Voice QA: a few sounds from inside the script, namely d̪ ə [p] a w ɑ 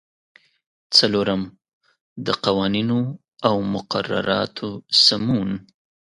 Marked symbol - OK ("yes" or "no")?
no